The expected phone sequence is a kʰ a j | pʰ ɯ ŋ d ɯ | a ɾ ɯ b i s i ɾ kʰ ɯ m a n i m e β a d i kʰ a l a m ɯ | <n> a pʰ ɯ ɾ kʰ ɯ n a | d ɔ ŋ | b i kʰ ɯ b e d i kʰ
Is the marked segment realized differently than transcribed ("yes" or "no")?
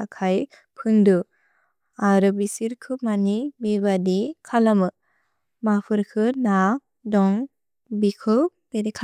yes